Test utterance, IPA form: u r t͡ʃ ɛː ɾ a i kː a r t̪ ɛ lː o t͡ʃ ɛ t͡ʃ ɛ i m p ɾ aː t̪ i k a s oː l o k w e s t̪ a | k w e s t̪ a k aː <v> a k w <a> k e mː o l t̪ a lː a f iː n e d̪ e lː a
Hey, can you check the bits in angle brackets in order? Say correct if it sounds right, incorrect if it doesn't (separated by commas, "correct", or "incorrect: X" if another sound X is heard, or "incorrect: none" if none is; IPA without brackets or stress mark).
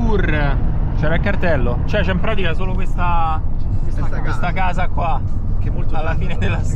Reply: incorrect: z, correct